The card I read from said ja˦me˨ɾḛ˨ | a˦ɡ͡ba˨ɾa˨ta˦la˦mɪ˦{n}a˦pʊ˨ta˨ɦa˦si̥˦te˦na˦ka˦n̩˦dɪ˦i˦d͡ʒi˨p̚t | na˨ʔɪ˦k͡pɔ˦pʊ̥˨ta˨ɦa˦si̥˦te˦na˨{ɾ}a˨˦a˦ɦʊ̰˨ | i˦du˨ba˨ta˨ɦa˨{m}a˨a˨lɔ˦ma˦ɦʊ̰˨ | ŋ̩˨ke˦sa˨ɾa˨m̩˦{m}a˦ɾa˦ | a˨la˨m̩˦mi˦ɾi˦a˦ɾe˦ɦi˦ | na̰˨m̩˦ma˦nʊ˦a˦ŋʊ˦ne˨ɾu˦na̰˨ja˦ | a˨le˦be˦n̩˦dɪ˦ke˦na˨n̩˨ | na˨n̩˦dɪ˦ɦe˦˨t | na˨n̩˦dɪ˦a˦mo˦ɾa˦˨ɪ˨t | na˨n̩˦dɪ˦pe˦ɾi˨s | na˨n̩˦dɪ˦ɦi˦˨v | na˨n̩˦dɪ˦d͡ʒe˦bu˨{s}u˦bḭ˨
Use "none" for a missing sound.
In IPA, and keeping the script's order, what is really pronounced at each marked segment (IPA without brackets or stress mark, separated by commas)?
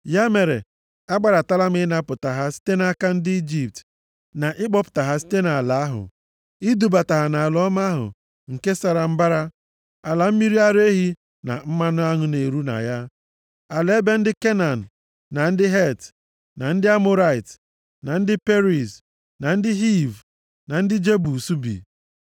n, l, n, b, s